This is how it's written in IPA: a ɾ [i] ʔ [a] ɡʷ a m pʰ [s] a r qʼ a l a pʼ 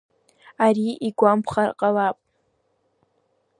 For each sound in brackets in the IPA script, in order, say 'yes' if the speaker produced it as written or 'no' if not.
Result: yes, no, no

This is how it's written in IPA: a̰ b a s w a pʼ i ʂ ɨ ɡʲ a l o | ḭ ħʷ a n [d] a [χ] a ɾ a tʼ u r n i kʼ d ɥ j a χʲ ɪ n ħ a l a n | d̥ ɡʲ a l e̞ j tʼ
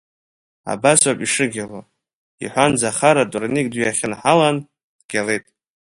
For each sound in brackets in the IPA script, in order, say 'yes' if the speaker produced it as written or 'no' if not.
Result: no, yes

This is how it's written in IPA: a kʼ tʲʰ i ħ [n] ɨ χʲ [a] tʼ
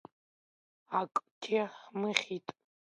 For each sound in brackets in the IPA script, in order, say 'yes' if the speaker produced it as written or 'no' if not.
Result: no, no

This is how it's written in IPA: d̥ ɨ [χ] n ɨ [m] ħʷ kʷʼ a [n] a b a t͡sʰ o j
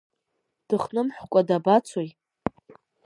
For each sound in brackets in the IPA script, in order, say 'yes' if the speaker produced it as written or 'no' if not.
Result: yes, yes, no

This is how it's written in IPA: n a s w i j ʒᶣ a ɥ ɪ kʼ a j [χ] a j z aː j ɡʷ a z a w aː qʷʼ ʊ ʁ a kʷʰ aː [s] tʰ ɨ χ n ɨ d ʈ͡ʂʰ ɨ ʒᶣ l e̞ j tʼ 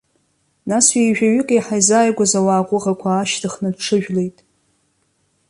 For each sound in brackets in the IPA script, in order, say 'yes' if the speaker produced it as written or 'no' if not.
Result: no, no

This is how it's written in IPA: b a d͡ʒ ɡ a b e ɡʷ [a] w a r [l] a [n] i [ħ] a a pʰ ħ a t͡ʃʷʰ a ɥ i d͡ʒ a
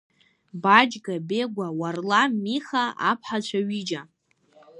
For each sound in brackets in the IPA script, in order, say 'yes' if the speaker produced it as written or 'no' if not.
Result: yes, yes, no, no

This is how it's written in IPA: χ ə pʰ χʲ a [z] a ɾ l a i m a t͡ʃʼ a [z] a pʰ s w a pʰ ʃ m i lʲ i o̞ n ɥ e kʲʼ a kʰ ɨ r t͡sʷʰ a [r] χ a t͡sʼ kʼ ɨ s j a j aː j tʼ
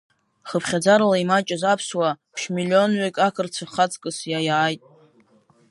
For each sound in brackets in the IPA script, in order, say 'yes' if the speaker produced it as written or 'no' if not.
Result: no, yes, no

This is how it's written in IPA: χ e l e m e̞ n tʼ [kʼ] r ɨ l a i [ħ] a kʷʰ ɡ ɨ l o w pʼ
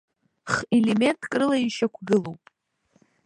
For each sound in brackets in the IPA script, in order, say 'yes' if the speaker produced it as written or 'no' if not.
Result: yes, no

